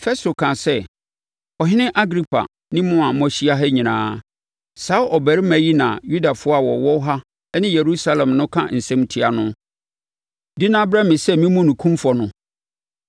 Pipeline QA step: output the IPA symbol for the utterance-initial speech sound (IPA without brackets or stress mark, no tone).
f